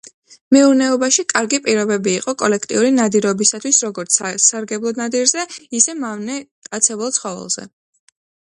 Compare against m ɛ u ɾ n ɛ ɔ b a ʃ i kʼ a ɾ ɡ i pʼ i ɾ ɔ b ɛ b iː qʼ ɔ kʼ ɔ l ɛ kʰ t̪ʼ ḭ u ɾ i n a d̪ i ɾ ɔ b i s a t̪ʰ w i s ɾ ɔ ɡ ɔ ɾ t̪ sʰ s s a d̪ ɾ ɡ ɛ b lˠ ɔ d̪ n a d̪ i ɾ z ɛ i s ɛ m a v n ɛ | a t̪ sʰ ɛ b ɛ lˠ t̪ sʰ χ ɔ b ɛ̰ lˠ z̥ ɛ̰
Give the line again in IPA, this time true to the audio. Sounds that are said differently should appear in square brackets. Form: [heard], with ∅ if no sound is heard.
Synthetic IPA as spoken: m ɛ u ɾ n ɛ ɔ b a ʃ i kʼ a ɾ ɡ i pʼ i ɾ ɔ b ɛ b iː qʼ ɔ kʼ ɔ l ɛ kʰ t̪ʼ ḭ u ɾ i n a d̪ i ɾ ɔ b i s a t̪ʰ w i s ɾ ɔ ɡ ɔ ɾ t̪ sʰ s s a [∅] ɾ ɡ ɛ b lˠ ɔ d̪ n a d̪ i ɾ z ɛ i s ɛ m a v n ɛ | a t̪ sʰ ɛ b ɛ lˠ t̪ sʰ χ ɔ [v] ɛ̰ lˠ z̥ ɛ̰